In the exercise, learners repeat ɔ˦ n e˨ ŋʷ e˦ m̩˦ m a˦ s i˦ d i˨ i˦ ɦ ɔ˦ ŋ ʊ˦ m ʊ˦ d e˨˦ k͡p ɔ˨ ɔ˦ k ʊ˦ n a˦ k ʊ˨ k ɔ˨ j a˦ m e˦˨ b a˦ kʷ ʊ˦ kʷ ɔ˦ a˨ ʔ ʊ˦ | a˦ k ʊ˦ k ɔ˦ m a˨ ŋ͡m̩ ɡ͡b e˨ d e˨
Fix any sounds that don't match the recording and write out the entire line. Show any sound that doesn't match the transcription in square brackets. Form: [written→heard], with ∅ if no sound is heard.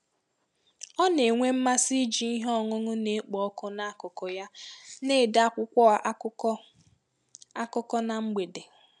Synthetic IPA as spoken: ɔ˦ n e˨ ŋʷ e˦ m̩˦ m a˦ s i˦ [d→d͡ʒ] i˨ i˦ ɦ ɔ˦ ŋ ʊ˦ [m→ŋ] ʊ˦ [d→n] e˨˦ k͡p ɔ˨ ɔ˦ k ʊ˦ n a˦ k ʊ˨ k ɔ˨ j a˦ [m→n] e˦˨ [b→d] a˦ kʷ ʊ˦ kʷ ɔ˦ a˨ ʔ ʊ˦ | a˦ k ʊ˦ k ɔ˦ [m→n] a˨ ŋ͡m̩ ɡ͡b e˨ d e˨

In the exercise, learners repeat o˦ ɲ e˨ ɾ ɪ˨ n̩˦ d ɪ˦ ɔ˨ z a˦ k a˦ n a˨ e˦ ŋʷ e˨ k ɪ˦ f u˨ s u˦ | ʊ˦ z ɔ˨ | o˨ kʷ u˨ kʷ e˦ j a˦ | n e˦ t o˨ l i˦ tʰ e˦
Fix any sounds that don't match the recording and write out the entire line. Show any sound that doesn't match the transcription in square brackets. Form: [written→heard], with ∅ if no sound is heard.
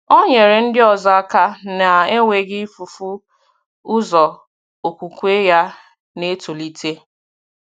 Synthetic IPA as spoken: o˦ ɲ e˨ ɾ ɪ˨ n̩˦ d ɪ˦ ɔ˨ z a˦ k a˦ n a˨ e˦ ŋʷ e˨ [k→ɡ] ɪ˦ f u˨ [s→f] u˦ | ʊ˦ z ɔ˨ | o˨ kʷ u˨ kʷ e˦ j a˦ | n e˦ t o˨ l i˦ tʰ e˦

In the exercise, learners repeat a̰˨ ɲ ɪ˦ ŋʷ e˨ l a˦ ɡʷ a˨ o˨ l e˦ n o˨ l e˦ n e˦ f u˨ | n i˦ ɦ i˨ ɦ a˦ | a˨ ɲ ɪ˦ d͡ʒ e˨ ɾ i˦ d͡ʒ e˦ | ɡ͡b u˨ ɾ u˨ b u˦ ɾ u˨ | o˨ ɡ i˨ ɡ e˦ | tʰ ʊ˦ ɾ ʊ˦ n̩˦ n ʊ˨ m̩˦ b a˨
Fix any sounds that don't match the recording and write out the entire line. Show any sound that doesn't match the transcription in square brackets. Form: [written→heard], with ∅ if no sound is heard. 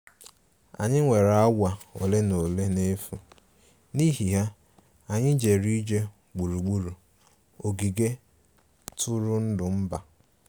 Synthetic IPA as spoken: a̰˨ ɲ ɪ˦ ŋʷ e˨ [l→ɾ] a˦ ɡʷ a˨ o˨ l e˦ n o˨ l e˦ n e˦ f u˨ | n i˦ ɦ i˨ ɦ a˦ | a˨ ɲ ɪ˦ d͡ʒ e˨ ɾ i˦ d͡ʒ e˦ | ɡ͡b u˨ ɾ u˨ [b→ɡ͡b] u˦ ɾ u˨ | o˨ ɡ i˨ ɡ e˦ | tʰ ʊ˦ ɾ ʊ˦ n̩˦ [n→d] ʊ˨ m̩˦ b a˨

